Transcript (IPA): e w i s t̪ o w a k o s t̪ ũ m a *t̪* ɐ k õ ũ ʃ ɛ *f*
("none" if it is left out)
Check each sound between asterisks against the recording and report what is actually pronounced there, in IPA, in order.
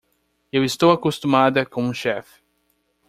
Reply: d̪, f

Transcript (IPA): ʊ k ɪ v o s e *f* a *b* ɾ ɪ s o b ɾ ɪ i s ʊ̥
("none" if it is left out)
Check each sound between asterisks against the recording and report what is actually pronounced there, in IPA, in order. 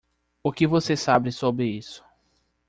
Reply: s, b

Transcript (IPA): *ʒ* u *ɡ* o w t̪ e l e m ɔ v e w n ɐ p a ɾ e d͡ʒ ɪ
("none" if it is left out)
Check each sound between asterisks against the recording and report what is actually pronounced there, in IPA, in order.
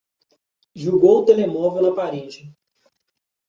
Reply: ʒ, ɡ

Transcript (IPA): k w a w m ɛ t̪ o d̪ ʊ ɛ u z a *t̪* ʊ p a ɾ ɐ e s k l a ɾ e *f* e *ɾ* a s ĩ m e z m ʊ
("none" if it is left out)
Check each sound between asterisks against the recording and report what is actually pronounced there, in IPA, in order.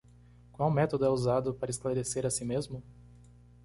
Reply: d̪, s, ɾ

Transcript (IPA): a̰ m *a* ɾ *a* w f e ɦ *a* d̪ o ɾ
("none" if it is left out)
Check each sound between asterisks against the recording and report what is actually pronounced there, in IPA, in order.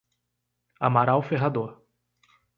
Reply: a, a, a

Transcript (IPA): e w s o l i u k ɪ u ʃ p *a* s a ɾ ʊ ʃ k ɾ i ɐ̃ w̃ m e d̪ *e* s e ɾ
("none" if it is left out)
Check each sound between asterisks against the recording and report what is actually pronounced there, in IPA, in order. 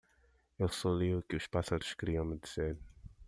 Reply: a, i

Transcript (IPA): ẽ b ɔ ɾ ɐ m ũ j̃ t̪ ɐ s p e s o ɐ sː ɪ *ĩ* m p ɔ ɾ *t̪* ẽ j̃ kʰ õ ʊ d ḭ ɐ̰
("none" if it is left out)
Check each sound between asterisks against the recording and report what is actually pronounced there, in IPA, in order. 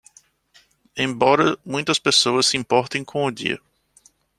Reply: ĩ, t̪

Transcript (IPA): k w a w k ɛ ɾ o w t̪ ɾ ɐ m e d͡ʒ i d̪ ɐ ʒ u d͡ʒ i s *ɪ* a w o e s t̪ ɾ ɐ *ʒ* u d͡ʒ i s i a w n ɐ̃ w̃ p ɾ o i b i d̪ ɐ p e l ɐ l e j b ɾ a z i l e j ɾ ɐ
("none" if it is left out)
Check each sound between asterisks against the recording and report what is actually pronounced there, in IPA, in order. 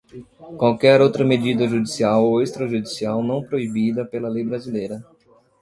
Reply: i, ʒ

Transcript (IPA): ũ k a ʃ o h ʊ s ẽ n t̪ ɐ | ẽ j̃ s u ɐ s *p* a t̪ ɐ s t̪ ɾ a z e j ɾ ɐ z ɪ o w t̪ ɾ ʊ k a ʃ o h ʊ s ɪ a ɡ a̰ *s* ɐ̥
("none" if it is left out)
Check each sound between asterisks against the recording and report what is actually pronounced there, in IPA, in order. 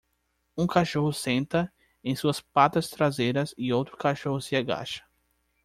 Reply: p, ʃ

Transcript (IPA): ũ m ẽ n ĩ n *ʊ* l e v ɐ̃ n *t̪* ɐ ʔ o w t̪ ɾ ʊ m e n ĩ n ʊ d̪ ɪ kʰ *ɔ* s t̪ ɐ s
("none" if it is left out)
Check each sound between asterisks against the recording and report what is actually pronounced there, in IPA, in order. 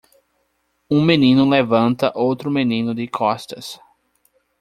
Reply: ʊ, t̪, ɔ

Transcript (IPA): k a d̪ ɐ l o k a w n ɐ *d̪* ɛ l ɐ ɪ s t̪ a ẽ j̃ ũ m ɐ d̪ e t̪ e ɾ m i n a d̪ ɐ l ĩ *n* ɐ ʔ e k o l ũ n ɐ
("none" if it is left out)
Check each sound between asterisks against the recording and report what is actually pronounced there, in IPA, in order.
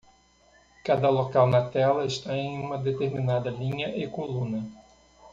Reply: t̪, ɲ

